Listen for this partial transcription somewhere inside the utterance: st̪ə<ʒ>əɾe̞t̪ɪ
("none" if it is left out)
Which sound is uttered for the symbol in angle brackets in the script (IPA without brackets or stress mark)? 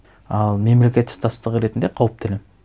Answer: ʁ